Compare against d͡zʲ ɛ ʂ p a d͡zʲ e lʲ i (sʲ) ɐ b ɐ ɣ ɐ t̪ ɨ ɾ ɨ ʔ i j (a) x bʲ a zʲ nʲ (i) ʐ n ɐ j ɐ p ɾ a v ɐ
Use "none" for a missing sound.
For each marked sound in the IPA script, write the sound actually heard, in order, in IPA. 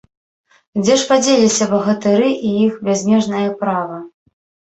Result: sʲ, i, ɛ

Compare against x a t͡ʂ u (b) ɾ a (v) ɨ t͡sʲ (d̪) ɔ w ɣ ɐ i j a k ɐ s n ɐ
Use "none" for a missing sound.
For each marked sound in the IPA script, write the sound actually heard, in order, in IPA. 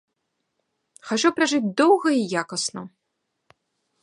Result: p, ʐ, d̪

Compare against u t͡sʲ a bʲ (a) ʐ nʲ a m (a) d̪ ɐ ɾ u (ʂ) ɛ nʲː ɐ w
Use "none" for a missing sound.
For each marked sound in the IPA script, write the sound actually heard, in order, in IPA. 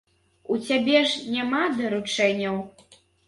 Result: ɛ, a, t͡ʂ

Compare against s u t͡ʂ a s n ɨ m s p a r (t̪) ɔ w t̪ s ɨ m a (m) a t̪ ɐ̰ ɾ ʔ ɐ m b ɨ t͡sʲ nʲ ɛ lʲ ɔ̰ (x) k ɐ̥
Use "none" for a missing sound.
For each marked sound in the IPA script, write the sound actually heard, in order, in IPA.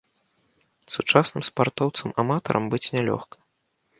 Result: t̪, m, x

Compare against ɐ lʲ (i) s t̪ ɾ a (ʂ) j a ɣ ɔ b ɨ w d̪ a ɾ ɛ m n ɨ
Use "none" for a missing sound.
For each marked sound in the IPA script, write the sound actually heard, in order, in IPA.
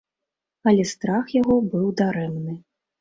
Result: ɛ, x

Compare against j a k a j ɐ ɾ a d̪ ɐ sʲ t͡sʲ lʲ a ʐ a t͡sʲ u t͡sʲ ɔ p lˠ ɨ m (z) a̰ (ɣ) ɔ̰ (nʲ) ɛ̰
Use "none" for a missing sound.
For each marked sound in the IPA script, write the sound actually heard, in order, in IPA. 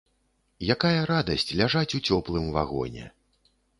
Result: v, ɣ, nʲ

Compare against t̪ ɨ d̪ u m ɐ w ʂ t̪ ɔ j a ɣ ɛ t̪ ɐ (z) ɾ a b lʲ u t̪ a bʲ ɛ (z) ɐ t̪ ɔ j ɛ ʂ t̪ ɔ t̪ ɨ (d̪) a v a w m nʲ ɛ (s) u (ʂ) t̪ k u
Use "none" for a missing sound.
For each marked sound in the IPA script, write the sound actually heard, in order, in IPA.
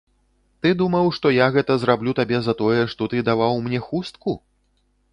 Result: z, z, d̪, x, s

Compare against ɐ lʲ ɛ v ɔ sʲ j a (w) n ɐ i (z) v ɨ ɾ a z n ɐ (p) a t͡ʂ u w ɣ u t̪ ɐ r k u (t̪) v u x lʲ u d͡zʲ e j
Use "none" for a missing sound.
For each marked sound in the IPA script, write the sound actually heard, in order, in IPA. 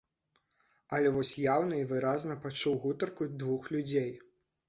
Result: w, none, p, d̪

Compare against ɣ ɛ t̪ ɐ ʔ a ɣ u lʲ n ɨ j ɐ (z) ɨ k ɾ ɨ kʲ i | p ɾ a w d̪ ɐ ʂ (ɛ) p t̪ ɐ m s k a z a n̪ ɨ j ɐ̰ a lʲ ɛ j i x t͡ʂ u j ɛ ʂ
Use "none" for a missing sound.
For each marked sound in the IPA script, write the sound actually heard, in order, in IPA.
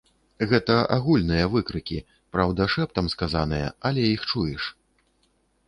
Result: v, ɛ

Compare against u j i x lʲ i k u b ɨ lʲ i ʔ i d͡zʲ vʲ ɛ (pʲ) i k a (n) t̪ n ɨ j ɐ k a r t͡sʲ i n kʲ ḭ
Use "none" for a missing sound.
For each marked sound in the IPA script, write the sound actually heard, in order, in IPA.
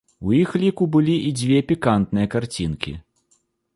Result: pʲ, n

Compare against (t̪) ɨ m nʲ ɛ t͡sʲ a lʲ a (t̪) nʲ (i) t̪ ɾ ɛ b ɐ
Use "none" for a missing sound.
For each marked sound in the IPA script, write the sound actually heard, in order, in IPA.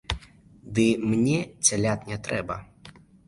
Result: d̪, t̪, ɛ

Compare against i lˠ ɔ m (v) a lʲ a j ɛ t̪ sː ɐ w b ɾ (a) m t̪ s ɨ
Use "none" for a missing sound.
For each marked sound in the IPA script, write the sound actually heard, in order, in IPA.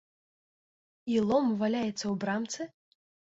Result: v, a

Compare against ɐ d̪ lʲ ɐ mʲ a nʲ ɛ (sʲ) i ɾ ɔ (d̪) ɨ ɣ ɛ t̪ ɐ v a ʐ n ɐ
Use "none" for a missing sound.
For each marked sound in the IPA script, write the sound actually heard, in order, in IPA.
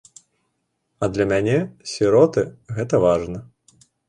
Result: sʲ, t̪

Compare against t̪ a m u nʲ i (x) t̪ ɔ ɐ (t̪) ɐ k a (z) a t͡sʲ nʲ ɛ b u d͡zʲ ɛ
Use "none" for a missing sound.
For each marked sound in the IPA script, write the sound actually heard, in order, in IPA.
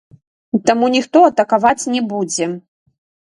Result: x, t̪, v

